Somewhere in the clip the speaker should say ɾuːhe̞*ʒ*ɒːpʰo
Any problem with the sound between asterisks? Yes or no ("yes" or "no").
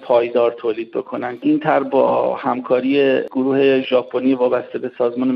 no